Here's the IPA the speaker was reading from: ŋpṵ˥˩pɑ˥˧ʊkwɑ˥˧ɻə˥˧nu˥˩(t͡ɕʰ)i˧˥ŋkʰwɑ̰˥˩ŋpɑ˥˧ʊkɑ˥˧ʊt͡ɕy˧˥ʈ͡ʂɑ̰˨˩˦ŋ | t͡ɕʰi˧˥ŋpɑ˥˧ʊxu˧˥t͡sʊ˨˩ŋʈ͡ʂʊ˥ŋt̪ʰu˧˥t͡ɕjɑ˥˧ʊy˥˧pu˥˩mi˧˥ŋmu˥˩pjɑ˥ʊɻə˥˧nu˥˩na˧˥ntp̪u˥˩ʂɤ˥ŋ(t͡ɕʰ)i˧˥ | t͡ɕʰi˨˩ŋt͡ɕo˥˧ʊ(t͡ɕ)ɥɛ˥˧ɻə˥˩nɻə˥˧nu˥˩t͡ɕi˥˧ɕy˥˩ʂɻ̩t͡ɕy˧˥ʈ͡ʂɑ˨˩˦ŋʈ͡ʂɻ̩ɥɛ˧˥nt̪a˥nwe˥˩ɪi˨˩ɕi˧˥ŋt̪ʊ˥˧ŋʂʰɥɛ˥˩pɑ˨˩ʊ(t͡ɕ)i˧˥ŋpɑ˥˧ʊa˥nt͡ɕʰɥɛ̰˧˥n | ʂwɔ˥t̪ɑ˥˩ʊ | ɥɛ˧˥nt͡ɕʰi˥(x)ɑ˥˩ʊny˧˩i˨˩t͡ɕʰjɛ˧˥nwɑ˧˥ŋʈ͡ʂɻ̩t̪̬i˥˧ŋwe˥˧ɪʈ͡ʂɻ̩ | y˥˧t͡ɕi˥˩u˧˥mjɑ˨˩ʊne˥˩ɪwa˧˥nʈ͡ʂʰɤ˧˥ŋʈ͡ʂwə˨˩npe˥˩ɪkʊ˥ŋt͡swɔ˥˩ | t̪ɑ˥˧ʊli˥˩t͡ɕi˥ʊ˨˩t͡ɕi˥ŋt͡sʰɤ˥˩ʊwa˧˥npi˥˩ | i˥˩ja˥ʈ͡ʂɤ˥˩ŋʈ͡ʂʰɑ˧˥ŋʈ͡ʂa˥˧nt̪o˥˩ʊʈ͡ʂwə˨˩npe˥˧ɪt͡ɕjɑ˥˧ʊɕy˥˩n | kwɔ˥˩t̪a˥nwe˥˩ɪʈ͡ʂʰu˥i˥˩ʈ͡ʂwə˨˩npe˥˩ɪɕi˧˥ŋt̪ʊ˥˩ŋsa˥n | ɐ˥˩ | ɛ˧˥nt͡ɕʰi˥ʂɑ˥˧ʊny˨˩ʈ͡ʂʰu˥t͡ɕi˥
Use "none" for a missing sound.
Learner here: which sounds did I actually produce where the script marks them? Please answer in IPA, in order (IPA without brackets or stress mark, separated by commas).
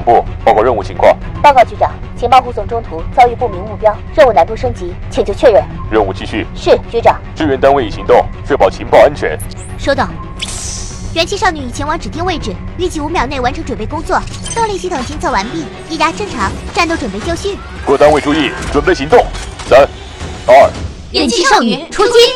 t͡ɕʰ, t͡ɕ, t͡ɕʰ, t͡ɕʰ, ʂ